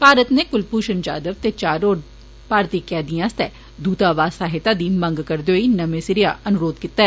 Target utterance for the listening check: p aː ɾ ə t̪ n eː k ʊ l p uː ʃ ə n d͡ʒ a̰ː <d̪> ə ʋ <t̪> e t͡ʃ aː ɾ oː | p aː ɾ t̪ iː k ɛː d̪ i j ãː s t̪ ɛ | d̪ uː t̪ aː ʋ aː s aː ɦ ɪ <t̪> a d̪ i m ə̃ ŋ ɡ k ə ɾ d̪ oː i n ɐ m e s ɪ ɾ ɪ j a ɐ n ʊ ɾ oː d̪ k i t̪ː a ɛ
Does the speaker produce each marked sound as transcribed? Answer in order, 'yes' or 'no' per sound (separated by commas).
yes, yes, yes